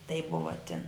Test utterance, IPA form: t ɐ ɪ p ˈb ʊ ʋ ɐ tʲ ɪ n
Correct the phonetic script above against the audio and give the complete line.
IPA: t ɐ ɪ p ˈb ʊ ʋ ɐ tʲ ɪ n